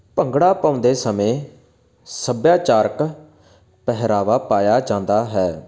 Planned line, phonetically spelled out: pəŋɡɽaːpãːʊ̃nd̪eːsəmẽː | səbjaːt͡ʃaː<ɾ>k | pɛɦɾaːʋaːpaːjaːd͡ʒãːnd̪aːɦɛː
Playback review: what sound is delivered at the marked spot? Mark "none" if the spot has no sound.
ɾ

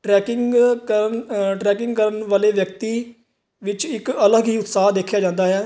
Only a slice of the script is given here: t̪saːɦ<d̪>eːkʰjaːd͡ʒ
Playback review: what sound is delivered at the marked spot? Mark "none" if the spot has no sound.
d̪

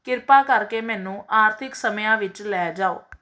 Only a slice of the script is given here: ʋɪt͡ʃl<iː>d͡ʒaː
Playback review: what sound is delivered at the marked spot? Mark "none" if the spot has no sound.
ɛː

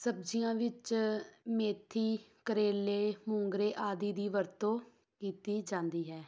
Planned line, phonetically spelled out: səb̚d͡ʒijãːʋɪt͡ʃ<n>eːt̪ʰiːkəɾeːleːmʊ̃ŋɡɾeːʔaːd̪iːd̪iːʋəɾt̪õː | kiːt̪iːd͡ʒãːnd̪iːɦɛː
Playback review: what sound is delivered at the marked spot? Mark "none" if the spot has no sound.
m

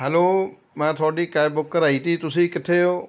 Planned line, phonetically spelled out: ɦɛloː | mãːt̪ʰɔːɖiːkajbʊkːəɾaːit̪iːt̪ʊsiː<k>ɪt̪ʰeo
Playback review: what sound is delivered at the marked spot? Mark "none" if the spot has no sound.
k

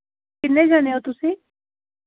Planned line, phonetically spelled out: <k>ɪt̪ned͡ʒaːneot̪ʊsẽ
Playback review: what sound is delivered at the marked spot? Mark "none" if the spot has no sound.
k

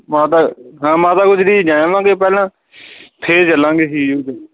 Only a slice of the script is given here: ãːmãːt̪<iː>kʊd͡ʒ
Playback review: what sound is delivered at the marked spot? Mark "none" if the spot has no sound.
aː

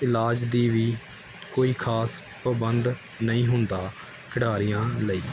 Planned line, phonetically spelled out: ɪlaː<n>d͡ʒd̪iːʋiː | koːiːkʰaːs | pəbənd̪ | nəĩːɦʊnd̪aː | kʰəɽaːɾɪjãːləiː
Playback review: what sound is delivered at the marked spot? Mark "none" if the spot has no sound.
none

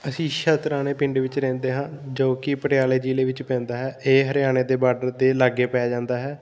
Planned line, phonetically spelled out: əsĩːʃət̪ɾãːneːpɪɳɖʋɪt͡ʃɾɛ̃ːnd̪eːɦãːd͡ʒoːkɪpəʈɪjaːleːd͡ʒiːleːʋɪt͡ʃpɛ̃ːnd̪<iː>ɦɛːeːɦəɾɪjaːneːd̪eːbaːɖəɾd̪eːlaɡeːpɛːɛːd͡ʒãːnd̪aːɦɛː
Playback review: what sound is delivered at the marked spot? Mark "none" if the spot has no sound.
aː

